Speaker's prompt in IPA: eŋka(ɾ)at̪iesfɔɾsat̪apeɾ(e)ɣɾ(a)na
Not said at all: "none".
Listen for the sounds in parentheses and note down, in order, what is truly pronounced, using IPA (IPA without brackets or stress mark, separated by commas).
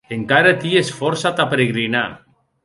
ɾ, e, i